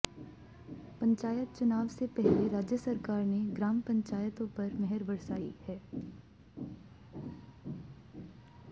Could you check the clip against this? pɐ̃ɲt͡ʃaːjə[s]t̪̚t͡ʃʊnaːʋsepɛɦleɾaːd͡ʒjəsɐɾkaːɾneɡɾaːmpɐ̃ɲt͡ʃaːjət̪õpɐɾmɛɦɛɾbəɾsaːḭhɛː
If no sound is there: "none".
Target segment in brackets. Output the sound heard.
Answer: none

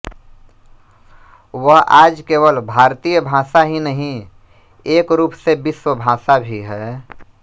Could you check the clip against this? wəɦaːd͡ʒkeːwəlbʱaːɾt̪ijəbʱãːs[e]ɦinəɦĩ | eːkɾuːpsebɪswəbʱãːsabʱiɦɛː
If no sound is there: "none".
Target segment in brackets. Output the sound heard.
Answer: a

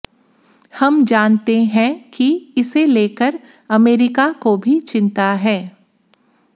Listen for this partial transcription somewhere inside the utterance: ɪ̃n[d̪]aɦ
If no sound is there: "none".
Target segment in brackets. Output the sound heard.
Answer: t̪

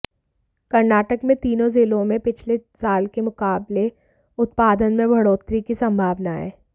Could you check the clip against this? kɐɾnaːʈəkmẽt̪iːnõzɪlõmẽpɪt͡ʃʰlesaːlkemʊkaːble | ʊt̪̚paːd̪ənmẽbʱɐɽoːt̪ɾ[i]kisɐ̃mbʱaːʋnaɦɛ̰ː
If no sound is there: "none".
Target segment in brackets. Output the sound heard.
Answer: i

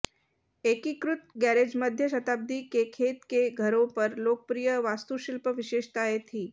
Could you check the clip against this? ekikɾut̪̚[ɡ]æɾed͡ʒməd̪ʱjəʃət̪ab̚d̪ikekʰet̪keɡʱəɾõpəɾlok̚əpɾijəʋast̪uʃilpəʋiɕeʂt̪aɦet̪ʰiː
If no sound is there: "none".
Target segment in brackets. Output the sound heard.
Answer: ɡ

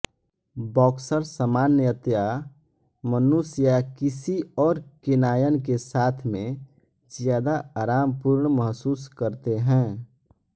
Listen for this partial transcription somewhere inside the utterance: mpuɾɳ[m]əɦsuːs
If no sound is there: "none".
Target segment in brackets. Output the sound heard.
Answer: m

